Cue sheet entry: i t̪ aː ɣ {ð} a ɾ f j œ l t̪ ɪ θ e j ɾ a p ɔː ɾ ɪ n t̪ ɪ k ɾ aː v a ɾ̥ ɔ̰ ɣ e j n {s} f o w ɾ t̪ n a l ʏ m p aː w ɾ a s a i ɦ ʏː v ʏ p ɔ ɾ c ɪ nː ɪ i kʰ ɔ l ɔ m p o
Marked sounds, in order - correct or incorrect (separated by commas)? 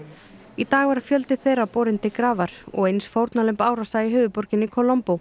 incorrect, correct